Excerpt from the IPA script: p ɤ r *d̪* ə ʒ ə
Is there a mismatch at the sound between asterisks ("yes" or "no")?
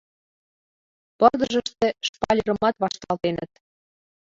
no